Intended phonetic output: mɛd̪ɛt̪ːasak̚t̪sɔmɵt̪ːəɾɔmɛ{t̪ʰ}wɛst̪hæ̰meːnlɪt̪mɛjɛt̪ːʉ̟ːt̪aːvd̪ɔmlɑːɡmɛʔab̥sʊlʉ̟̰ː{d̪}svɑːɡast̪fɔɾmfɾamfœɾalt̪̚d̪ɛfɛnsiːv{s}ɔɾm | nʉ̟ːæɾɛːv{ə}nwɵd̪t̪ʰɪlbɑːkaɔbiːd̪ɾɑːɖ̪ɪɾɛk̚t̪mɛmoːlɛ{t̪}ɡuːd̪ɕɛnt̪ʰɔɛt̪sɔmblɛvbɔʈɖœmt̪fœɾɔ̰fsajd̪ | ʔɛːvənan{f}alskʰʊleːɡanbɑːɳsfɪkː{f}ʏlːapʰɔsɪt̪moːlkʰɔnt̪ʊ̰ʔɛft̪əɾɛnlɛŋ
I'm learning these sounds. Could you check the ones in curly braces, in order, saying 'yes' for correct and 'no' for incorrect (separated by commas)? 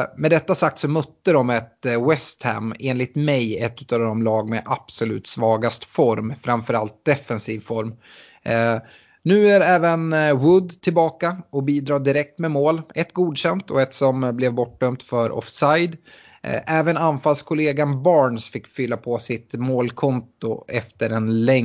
no, no, no, yes, yes, yes, yes